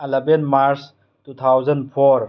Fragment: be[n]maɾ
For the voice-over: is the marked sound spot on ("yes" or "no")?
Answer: yes